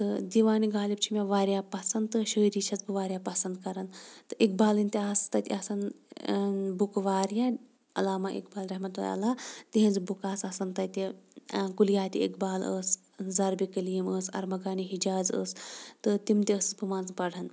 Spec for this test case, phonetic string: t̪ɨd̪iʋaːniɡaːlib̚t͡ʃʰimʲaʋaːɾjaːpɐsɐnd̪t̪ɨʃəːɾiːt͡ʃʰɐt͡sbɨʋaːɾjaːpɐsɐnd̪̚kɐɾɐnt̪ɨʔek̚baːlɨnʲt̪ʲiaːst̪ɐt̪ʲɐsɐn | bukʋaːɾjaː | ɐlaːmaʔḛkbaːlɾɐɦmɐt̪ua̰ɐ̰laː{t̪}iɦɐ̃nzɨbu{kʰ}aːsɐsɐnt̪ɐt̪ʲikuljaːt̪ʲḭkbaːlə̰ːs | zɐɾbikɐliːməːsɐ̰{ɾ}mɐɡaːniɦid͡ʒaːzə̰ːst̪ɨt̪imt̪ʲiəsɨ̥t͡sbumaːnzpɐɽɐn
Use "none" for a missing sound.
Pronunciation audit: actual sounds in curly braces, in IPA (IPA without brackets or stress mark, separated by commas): t̪, k, ɾ